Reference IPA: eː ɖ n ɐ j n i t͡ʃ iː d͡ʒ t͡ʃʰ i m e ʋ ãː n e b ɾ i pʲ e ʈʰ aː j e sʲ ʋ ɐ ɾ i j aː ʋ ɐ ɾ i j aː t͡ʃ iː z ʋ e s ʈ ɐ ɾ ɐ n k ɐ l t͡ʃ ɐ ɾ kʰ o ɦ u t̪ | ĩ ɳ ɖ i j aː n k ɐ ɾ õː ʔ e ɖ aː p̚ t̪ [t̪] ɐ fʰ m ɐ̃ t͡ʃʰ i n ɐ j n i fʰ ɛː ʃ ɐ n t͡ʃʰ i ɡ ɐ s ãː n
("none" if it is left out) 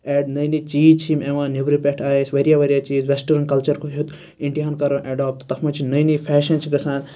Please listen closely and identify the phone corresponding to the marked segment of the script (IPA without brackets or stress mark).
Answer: t̪